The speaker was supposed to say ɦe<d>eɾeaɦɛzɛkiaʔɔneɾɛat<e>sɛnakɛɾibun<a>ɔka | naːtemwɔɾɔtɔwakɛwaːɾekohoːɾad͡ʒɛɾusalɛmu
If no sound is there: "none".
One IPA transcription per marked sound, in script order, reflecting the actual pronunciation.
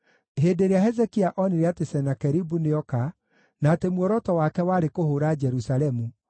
d, e, e

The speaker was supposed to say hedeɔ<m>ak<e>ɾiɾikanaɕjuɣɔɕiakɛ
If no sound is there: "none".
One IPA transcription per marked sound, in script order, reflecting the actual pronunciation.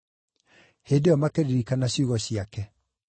m, e

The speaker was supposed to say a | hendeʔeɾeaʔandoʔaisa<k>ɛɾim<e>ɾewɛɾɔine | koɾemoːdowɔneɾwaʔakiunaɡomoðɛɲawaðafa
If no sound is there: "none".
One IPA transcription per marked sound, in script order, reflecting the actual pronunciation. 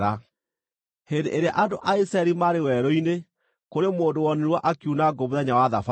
none, a

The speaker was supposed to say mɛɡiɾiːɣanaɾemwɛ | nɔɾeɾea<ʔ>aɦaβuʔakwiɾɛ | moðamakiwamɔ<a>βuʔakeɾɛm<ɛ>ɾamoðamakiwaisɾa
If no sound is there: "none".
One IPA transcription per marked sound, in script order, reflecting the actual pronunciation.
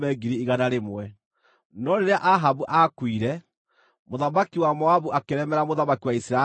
ʔ, a, ɛ

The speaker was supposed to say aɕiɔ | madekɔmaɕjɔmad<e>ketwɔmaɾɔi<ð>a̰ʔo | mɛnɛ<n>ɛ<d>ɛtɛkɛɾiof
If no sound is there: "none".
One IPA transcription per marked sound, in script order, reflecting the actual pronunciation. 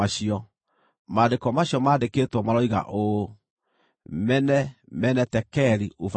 e, ɣ, m, n

